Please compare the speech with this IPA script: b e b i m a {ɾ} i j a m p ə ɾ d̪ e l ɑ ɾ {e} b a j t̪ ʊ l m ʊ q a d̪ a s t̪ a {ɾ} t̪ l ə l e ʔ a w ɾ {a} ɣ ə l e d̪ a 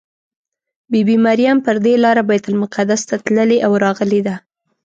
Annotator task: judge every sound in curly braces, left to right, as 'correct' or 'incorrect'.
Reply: correct, incorrect, incorrect, incorrect

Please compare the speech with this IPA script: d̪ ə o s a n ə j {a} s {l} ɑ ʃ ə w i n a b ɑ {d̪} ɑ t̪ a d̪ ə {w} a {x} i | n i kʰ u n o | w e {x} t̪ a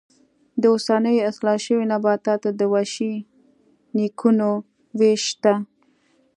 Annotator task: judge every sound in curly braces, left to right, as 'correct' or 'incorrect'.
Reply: correct, correct, incorrect, correct, incorrect, incorrect

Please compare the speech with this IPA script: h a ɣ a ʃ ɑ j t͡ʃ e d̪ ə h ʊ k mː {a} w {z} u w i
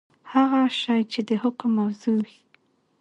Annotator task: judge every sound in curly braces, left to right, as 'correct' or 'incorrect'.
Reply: correct, correct

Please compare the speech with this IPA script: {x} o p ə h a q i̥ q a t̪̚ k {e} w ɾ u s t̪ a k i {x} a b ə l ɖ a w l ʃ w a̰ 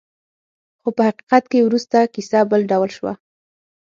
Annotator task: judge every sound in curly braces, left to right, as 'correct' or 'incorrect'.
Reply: correct, correct, incorrect

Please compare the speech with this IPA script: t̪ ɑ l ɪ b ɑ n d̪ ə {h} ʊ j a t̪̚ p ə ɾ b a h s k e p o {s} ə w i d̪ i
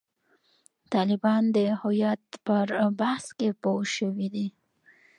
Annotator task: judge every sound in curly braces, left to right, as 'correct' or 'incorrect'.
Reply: correct, incorrect

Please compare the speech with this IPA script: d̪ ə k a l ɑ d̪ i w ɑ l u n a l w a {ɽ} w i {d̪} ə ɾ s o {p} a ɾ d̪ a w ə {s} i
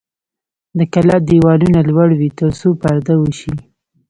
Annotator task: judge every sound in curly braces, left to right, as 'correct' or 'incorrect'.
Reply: correct, incorrect, correct, incorrect

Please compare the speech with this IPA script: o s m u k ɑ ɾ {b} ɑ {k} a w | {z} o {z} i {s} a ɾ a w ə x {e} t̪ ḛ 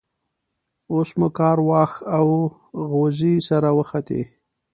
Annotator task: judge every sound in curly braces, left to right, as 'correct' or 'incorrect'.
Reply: incorrect, incorrect, incorrect, correct, correct, incorrect

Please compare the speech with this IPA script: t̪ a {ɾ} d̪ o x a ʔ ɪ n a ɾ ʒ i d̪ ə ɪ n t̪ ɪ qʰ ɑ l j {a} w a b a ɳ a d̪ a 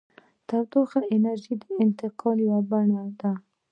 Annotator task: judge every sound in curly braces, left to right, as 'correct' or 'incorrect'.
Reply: correct, correct

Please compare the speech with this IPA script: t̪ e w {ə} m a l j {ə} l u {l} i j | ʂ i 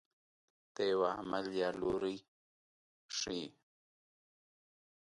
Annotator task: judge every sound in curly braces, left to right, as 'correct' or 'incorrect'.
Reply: incorrect, incorrect, incorrect

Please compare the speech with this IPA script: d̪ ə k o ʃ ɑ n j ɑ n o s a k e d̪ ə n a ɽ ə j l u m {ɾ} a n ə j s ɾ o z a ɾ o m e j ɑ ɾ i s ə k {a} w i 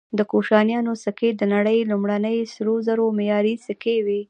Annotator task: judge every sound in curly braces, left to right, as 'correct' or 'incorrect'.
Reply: incorrect, incorrect

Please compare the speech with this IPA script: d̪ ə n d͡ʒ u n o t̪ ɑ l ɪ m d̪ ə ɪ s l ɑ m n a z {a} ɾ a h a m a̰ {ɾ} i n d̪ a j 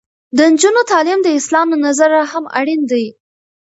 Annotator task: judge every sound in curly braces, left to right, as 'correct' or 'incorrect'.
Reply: correct, incorrect

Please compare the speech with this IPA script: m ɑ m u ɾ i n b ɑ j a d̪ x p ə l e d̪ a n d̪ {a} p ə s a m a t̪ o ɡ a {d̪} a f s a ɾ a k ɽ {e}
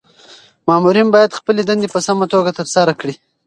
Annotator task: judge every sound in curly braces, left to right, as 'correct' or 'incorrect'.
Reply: incorrect, incorrect, incorrect

